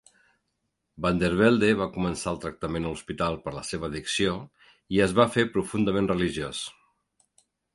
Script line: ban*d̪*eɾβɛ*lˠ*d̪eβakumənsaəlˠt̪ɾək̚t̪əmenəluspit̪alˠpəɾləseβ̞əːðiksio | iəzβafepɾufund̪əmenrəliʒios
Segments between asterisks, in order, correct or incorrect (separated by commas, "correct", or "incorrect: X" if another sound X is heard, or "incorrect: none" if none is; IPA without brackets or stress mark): correct, correct